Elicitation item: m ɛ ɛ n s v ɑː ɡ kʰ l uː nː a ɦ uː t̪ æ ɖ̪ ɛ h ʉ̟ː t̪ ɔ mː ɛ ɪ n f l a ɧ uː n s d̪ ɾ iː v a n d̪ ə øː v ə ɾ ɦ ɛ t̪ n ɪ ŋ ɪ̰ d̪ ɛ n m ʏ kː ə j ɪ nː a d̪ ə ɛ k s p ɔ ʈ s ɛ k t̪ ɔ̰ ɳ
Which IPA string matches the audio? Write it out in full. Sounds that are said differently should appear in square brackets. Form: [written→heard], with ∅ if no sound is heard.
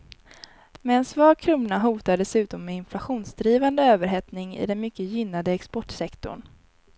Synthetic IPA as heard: m ɛ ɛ n s v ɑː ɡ kʰ [l→ɾ] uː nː a ɦ uː t̪ [æ→a] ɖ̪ ɛ [h→s] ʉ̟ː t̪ ɔ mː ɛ ɪ n f l a ɧ uː n s d̪ ɾ iː v a n d̪ ə øː v ə ɾ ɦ ɛ t̪ n ɪ ŋ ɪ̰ d̪ ɛ n m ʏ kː ə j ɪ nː a d̪ ə ɛ k s p ɔ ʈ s ɛ k t̪ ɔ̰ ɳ